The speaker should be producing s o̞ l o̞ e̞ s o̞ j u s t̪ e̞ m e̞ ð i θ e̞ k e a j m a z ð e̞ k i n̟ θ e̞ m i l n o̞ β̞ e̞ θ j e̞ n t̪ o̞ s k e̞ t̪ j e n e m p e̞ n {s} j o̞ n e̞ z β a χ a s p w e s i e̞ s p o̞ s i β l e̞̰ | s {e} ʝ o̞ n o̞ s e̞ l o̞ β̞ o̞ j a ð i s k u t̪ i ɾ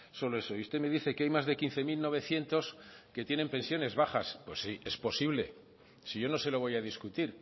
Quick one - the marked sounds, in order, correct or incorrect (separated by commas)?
correct, incorrect